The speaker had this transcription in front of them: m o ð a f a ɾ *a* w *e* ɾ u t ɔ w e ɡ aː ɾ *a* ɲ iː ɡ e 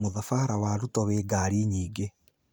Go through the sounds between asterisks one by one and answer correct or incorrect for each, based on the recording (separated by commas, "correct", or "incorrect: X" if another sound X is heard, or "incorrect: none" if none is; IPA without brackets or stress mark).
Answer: correct, incorrect: a, incorrect: i